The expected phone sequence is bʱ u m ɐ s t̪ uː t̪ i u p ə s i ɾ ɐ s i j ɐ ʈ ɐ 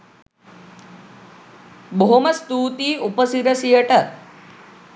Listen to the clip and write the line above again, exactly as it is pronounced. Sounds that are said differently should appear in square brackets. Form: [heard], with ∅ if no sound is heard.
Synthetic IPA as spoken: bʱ [o] m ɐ s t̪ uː t̪ i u p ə s i ɾ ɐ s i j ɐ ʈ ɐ